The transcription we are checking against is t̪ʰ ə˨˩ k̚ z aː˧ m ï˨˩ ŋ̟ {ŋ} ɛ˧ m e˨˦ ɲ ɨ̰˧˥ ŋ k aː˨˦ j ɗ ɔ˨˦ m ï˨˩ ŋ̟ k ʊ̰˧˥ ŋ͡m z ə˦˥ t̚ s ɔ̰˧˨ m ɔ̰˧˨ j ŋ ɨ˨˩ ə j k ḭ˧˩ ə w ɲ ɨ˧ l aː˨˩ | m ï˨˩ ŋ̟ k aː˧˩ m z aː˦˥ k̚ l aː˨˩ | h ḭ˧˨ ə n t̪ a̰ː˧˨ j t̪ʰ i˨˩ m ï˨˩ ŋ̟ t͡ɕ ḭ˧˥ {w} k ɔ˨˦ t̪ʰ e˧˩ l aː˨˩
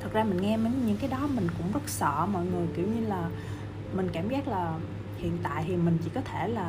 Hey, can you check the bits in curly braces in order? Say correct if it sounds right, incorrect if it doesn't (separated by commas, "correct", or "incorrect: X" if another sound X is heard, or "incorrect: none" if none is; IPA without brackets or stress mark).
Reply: correct, incorrect: none